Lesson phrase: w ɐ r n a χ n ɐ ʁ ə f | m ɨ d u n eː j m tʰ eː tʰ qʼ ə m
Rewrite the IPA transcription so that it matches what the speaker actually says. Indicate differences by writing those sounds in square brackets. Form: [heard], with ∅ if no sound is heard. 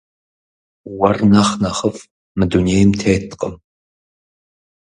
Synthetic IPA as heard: w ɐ r n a χ n ɐ [χ] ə f | m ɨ d u n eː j m tʰ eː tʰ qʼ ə m